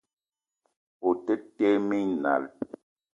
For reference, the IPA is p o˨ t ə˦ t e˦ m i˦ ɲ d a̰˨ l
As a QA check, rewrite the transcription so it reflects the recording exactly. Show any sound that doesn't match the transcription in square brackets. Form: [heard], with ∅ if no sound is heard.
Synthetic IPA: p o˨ t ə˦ t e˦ m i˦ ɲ [n] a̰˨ l